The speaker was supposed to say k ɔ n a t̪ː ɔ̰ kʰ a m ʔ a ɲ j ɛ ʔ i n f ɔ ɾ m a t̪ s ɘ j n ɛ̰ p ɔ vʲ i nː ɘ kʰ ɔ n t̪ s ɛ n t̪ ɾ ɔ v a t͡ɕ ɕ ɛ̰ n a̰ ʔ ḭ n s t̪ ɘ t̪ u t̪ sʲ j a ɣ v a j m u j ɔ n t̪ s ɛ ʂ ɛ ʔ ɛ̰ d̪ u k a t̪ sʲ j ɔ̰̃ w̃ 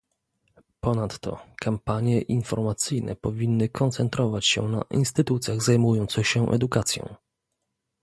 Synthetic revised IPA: p ɔ n a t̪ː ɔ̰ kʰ a m p a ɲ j ɛ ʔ i n f ɔ ɾ m a t̪ s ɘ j n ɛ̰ p ɔ vʲ i nː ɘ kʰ ɔ n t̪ s ɛ n t̪ ɾ ɔ v a t͡ɕ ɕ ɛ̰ n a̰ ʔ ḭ n s t̪ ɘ t̪ u t̪ sʲ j a ɣ z a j m u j ɔ n t̪ s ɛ ɕ ɛ ʔ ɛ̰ d̪ u k a t̪ sʲ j ɔ̰̃ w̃